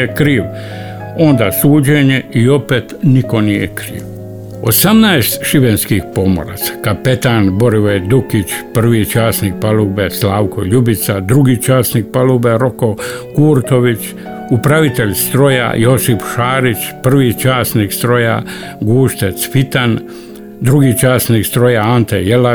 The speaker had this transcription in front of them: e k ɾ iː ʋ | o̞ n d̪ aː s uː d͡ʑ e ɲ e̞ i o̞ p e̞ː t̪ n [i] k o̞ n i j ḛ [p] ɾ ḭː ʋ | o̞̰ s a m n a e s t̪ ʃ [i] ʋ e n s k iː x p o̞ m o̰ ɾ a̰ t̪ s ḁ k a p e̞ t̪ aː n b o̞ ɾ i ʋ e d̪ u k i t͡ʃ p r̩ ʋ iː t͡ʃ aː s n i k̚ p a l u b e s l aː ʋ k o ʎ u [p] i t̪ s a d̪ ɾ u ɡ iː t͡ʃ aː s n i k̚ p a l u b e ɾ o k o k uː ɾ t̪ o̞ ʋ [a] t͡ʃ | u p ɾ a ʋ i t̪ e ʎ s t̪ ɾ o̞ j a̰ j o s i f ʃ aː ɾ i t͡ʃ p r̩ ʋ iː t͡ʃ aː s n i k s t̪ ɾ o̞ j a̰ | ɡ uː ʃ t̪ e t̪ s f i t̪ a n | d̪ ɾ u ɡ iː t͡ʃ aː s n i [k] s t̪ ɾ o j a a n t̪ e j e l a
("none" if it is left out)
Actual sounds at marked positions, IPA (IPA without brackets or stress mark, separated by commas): i, k, i, b, i, k